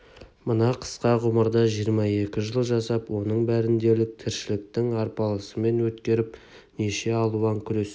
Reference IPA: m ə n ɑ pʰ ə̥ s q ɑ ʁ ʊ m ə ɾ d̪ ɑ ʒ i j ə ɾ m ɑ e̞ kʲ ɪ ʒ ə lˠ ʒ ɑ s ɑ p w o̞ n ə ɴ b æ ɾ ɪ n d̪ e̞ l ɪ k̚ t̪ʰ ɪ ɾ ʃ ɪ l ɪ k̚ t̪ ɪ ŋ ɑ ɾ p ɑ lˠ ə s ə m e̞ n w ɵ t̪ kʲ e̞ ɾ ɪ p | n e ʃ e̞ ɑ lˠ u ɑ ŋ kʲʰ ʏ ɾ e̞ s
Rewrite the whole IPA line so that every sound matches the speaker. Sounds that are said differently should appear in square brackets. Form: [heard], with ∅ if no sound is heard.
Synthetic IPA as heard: m ə n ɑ [qʰ] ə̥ s q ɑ ʁ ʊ m ə ɾ d̪ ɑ ʒ i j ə ɾ m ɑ e̞ kʲ ɪ ʒ ə lˠ ʒ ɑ s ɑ p w o̞ n ə ɴ b æ ɾ ɪ n d̪ e̞ l ɪ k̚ t̪ʰ ɪ ɾ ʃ ɪ l ɪ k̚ t̪ ɪ ŋ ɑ ɾ p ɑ lˠ ə s ə m e̞ n w ɵ t̪ kʲ e̞ ɾ ɪ p | n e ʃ e̞ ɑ lˠ u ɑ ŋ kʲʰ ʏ ɾ e̞ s

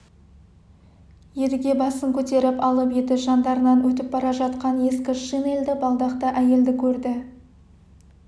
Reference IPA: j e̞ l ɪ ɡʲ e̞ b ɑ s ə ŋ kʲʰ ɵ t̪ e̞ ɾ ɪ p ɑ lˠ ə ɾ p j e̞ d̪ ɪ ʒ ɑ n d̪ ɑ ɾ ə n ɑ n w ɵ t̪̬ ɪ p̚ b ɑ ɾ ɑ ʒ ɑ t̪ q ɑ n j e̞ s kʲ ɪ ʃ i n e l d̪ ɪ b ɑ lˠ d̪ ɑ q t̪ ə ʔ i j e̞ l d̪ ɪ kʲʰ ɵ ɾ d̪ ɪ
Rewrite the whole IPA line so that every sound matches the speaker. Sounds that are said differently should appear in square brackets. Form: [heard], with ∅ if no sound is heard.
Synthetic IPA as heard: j e̞ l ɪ ɡʲ e̞ b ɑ s ə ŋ kʲʰ ɵ t̪ e̞ ɾ ɪ p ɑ lˠ ə [∅] p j e̞ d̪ ɪ ʒ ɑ n d̪ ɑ ɾ ə n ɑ n w ɵ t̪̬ ɪ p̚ b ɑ ɾ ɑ ʒ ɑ t̪ q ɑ n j e̞ s kʲ ɪ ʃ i n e l d̪ ɪ b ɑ lˠ d̪ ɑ q t̪ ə ʔ [æ] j e̞ l d̪ ɪ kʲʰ ɵ ɾ d̪ ɪ

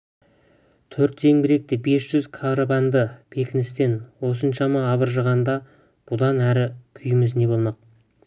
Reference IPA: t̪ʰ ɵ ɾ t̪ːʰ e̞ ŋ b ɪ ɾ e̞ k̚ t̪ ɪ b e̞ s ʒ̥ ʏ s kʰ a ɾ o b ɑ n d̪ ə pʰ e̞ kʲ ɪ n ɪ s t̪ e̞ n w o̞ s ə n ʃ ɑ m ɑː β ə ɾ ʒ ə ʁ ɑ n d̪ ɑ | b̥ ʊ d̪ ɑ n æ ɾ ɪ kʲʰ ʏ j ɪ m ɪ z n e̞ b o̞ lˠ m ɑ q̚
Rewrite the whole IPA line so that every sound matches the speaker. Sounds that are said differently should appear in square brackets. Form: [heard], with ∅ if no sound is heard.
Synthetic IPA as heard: t̪ʰ ɵ ɾ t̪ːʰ e̞ ŋ b ɪ ɾ e̞ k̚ t̪ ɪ b e̞ s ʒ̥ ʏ [z] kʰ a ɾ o b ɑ n d̪ ə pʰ e̞ kʲ ɪ n ɪ s t̪ e̞ n w o̞ s ə n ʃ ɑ m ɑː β ə ɾ ʒ ə ʁ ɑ n d̪ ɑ | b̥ ʊ d̪ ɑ n æ ɾ ɪ kʲʰ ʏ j ɪ m ɪ z n e̞ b o̞ lˠ m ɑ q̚

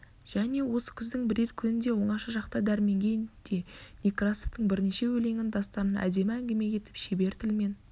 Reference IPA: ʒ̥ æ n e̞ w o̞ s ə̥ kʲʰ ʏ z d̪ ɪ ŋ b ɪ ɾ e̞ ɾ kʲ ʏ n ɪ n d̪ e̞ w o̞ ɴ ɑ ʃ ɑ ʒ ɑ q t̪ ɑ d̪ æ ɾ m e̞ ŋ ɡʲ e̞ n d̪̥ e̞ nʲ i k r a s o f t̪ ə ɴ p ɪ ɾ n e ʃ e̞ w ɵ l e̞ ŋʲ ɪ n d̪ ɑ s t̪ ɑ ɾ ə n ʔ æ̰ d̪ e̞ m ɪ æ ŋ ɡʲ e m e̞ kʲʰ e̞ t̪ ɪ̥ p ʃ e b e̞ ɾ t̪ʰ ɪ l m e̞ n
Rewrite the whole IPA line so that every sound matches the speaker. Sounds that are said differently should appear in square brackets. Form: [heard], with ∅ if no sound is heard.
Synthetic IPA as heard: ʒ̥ æ n e̞ w o̞ s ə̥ kʲʰ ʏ z d̪ ɪ ŋ b ɪ ɾ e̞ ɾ [kʲʰ] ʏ n ɪ n d̪ e̞ w o̞ ɴ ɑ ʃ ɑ ʒ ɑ q t̪ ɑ d̪ æ ɾ m e̞ ŋ ɡʲ e̞ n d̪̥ e̞ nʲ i k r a s o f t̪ ə ɴ [b] ɪ ɾ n e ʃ e̞ w ɵ l e̞ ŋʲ ɪ n d̪ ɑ s t̪ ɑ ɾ ə n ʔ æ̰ d̪ e̞ m ɪ æ ŋ ɡʲ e m e̞ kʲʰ e̞ t̪ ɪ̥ p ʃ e b e̞ ɾ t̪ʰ ɪ l m e̞ n

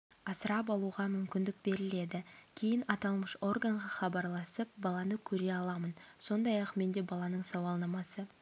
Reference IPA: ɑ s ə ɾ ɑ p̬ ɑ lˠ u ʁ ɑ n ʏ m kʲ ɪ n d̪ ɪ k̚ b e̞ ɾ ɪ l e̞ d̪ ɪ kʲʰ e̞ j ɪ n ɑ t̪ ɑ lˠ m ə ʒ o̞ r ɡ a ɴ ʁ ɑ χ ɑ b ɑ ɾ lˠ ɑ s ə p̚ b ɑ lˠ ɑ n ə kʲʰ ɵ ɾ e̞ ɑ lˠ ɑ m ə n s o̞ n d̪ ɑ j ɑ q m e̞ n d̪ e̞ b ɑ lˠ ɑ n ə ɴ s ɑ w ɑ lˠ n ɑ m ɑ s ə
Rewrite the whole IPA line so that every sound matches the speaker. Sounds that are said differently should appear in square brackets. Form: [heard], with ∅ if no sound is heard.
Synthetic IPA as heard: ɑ s ə ɾ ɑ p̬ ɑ lˠ u ʁ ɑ [m] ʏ m kʲ ɪ n d̪ ɪ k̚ b e̞ ɾ ɪ l e̞ d̪ ɪ kʲʰ e̞ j ɪ n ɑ t̪ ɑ lˠ m ə [ʃ] o̞ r ɡ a ɴ ʁ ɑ χ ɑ b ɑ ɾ lˠ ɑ s ə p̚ b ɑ lˠ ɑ n ə kʲʰ ɵ ɾ e̞ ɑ lˠ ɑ m ə n s o̞ n d̪ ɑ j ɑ q m e̞ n d̪ e̞ b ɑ lˠ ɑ n ə ɴ s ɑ w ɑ lˠ n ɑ m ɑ s ə

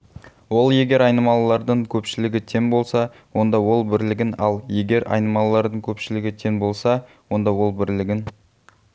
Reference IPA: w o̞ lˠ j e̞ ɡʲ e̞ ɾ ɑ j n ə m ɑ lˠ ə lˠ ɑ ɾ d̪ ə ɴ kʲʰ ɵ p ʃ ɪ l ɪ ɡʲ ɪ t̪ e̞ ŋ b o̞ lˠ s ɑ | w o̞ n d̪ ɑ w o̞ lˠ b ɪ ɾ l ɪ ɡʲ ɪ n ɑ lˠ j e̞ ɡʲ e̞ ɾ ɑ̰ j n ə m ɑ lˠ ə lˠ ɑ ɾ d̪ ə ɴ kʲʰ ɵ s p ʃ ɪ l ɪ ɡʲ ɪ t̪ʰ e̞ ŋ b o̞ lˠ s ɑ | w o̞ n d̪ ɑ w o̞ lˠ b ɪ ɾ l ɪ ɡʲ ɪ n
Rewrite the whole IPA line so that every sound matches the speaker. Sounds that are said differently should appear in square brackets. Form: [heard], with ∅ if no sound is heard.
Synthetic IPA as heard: w o̞ lˠ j e̞ ɡʲ e̞ ɾ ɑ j n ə m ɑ lˠ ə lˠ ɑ ɾ d̪ ə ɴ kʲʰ ɵ p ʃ ɪ l ɪ ɡʲ ɪ [t̪ʰ] e̞ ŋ b o̞ lˠ s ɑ | w o̞ n d̪ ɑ w o̞ lˠ b ɪ ɾ l ɪ ɡʲ ɪ n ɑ lˠ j e̞ ɡʲ e̞ ɾ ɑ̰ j n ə m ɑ lˠ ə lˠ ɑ ɾ d̪ ə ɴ kʲʰ ɵ [∅] p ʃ ɪ l ɪ ɡʲ ɪ t̪ʰ e̞ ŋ b o̞ lˠ s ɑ | w o̞ n d̪ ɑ w o̞ lˠ b ɪ ɾ l ɪ ɡʲ ɪ n

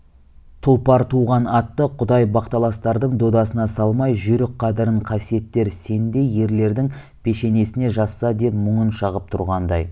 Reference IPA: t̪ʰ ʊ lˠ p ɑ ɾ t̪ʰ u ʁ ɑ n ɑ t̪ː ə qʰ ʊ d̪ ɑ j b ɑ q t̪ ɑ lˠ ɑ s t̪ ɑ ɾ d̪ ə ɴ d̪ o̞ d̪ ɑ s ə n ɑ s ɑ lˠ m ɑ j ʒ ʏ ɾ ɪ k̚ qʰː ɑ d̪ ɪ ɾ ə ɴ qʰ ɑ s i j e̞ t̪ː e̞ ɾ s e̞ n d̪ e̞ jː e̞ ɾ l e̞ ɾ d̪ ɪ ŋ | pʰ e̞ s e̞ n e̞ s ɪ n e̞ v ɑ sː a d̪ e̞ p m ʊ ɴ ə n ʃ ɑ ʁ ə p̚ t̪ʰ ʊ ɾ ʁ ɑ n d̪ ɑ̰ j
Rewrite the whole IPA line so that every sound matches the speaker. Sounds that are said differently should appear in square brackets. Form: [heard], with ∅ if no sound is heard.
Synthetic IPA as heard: t̪ʰ ʊ lˠ p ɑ ɾ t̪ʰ u ʁ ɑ n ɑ t̪ː ə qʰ ʊ d̪ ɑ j b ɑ q t̪ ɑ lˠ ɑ s t̪ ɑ ɾ d̪ ə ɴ d̪ o̞ d̪ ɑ s ə n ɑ s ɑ lˠ m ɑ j ʒ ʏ ɾ ɪ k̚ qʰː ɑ d̪ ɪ ɾ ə ɴ qʰ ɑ s i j e̞ t̪ː e̞ ɾ s e̞ n d̪ e̞ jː e̞ ɾ l e̞ ɾ d̪ ɪ ŋ | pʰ e̞ [ʃ] e̞ n e̞ s ɪ n e̞ [ʒ] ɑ sː [ɑ] d̪ e̞ p m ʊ ɴ ə n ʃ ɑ ʁ ə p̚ t̪ʰ ʊ ɾ ʁ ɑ n d̪ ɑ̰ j

